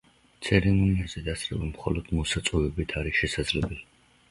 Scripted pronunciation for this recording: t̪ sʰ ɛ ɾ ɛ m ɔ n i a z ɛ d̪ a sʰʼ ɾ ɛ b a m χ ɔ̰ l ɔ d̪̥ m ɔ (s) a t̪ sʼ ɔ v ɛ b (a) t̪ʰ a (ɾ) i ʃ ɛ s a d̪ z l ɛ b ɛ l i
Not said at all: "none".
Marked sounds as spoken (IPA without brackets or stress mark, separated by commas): s, i, ɾ